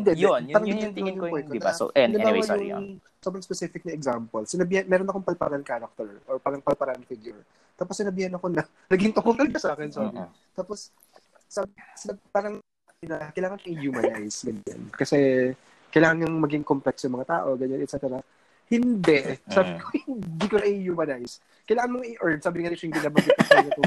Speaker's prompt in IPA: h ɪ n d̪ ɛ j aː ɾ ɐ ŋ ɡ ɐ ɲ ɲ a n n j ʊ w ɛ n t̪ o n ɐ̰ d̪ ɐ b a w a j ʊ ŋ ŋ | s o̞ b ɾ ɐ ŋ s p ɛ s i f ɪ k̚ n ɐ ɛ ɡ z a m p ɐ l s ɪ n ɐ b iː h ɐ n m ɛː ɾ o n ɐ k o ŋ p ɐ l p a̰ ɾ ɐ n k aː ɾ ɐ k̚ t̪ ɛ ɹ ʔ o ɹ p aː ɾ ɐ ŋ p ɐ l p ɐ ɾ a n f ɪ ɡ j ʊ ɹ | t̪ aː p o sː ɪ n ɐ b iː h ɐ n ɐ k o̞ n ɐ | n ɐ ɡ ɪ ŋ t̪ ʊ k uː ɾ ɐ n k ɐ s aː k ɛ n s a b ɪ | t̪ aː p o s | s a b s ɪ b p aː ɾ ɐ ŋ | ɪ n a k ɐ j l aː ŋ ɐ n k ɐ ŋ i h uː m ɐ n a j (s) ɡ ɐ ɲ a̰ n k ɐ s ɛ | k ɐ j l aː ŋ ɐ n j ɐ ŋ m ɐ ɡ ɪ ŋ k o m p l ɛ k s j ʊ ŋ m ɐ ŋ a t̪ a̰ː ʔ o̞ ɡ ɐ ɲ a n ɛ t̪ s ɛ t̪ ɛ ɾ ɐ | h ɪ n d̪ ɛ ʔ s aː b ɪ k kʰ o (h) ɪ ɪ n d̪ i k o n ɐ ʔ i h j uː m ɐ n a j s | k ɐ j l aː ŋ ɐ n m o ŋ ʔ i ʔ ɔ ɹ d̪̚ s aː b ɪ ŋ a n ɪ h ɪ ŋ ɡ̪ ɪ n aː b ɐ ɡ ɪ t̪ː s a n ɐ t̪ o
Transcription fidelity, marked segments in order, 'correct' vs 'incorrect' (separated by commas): correct, correct